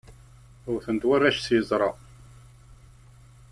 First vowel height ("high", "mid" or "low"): high